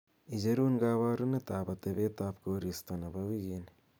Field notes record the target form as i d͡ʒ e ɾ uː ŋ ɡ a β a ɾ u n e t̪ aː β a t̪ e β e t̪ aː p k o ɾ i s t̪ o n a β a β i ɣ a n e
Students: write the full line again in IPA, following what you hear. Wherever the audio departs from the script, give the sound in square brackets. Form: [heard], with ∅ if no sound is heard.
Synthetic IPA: i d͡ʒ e ɾ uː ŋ ɡ a β a ɾ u n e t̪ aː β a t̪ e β e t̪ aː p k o ɾ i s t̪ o n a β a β i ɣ [i] n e